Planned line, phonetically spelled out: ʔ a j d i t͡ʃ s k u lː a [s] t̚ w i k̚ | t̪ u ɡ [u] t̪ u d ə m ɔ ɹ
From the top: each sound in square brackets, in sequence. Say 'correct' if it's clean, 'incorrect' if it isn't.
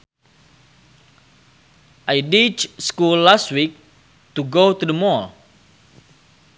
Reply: correct, incorrect: o

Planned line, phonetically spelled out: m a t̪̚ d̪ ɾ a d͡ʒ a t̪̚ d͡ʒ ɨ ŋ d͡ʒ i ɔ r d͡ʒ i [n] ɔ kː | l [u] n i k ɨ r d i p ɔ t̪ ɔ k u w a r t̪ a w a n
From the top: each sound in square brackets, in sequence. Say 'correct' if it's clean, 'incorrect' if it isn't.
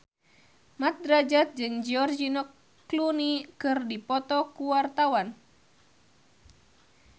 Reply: correct, correct

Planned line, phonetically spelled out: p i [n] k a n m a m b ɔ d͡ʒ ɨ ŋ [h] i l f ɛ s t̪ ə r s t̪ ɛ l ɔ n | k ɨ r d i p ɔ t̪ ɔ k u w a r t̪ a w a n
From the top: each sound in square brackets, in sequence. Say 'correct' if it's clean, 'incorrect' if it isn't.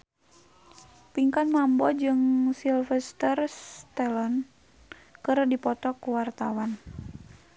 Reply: incorrect: ŋ, incorrect: s

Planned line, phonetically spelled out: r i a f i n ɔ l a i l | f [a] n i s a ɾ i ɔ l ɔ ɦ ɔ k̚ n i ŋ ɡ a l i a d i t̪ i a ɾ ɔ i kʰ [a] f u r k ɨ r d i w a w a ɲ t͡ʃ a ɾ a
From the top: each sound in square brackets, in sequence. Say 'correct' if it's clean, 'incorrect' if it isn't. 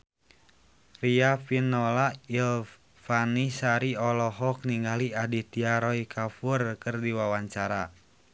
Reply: correct, correct

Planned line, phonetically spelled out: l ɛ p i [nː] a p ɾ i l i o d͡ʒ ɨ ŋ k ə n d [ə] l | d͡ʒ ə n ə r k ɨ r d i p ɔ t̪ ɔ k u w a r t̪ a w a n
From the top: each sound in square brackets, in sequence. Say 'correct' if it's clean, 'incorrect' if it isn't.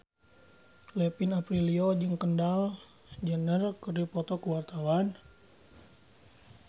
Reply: incorrect: n, incorrect: a

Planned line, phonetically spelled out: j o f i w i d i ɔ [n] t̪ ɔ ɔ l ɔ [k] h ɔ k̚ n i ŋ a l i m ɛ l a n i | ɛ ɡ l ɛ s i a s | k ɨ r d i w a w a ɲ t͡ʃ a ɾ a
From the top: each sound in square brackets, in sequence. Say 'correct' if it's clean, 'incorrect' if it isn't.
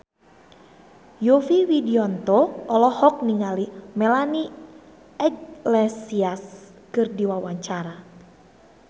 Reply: correct, incorrect: none

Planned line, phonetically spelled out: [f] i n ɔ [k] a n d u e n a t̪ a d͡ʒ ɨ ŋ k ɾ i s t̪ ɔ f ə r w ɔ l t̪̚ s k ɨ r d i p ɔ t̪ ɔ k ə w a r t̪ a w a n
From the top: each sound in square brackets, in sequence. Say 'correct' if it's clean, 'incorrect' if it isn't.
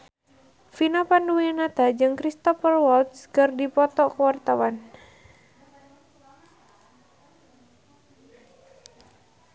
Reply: correct, incorrect: p

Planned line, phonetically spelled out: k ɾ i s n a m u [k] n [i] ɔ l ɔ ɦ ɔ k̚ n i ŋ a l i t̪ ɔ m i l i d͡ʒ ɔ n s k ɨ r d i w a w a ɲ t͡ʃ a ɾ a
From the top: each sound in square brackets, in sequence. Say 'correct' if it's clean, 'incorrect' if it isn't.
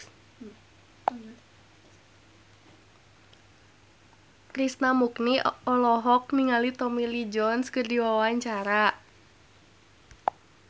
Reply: correct, correct

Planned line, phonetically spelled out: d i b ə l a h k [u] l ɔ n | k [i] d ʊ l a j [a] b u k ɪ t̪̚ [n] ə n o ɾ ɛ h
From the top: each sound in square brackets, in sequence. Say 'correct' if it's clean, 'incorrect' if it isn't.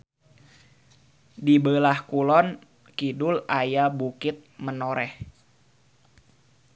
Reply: correct, correct, correct, incorrect: m

